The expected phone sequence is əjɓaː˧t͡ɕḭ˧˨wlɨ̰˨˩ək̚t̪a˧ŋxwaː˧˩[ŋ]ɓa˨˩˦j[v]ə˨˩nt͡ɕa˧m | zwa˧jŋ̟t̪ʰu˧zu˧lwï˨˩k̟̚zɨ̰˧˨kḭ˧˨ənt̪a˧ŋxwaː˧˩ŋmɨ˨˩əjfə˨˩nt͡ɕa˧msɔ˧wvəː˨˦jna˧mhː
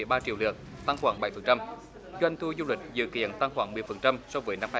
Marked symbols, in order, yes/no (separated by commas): yes, no